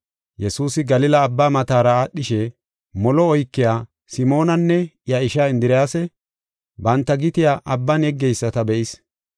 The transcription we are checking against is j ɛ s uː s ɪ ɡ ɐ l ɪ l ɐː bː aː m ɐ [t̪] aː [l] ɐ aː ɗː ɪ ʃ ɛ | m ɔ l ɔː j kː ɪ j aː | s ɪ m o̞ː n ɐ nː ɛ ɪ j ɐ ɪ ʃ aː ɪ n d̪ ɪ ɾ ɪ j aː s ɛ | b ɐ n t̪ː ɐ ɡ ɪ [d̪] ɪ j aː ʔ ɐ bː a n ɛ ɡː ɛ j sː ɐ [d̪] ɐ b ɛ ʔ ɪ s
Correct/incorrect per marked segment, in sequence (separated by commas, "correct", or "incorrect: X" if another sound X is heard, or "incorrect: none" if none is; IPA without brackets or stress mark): correct, incorrect: ɾ, incorrect: t̪, incorrect: t̪